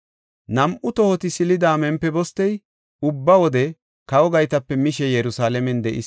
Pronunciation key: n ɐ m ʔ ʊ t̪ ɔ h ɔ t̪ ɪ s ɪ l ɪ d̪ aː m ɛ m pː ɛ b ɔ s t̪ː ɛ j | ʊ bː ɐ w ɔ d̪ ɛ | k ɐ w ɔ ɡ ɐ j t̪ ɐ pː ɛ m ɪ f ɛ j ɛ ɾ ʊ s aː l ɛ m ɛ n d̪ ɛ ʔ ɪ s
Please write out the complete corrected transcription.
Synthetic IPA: n ɐ m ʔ ʊ t̪ ɔ h ɔ t̪ ɪ s ɪ l ɪ d̪ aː m ɛ m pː ɛ b ɔ s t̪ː ɛ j | ʊ bː ɐ w ɔ d̪ ɛ | k ɐ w ɔ ɡ ɐ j t̪ ɐ pː ɛ m ɪ ʃ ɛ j ɛ ɾ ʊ s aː l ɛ m ɛ n d̪ ɛ ʔ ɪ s